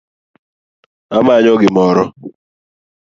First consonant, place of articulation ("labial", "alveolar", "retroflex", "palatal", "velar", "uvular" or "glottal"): labial